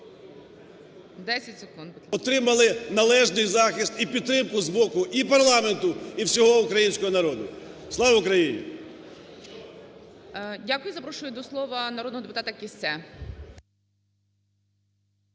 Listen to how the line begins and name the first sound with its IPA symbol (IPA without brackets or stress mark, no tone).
d̪